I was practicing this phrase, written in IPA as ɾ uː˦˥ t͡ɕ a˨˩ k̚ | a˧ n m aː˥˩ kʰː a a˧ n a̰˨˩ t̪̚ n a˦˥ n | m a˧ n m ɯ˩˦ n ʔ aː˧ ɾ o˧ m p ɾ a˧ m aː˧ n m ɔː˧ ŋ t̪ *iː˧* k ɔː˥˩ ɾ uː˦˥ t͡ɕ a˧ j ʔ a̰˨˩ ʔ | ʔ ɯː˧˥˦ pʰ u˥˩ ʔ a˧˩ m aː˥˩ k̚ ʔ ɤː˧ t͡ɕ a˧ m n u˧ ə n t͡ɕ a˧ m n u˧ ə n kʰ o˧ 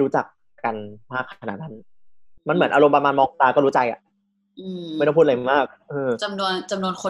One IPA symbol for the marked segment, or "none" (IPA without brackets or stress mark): aː˧